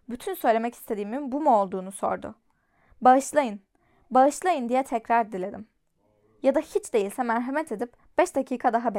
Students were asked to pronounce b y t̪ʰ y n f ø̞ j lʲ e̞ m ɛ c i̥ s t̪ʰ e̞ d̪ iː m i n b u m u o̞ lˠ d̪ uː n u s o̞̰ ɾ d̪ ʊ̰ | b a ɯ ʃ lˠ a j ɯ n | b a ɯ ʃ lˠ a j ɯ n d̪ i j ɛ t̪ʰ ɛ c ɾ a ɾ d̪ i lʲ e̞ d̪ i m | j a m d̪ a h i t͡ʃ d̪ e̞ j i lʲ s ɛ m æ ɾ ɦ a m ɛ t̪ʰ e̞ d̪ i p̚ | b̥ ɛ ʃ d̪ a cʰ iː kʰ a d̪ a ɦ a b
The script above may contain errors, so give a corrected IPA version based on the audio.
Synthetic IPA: b y t̪ʰ y n s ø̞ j lʲ e̞ m ɛ c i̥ s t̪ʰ e̞ d̪ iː m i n b u m u o̞ lˠ d̪ uː n u s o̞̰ ɾ d̪ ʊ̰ | b a ɯ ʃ lˠ a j ɯ n | b a ɯ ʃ lˠ a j ɯ n d̪ i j ɛ t̪ʰ ɛ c ɾ a ɾ d̪ i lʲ e̞ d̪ i m | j a d̪ a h i t͡ʃ d̪ e̞ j i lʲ s ɛ m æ ɾ ɦ a m ɛ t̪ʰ e̞ d̪ i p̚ | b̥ ɛ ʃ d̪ a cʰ iː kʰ a d̪ a ɦ a b